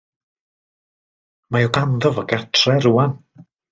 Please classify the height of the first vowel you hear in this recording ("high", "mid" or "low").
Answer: low